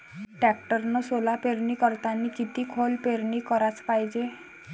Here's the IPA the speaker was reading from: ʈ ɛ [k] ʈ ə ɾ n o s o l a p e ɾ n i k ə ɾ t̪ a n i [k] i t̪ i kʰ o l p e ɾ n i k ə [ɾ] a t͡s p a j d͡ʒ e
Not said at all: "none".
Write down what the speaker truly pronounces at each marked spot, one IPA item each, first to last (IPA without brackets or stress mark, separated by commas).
k, k, ɾ